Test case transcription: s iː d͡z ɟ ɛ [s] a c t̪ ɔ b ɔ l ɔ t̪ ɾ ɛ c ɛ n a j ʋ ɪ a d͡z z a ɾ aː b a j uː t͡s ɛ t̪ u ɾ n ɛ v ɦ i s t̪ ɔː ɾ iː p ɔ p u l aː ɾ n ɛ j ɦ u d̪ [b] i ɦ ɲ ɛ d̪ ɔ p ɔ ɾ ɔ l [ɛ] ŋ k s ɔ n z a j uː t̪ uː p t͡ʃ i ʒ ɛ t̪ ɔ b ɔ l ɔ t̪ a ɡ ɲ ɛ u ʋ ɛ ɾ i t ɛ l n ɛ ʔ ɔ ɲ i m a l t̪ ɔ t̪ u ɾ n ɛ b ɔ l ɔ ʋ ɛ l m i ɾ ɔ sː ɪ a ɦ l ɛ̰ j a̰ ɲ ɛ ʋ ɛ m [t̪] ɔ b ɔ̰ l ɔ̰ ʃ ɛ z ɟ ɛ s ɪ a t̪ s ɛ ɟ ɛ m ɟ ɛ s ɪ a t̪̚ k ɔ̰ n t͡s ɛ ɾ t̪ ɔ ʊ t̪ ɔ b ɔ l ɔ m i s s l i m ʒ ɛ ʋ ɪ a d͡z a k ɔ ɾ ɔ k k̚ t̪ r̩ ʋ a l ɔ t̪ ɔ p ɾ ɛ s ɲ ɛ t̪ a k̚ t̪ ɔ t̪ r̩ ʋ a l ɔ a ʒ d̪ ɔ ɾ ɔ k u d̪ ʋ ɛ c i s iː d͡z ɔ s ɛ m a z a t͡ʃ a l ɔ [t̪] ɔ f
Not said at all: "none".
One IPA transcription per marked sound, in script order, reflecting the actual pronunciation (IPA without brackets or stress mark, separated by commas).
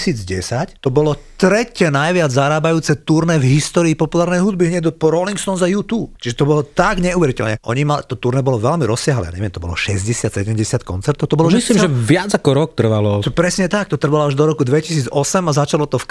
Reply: s, b, i, t̪, t̪